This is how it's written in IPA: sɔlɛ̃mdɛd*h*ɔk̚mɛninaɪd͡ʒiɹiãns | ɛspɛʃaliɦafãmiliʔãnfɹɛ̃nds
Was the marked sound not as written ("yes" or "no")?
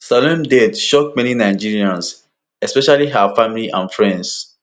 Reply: yes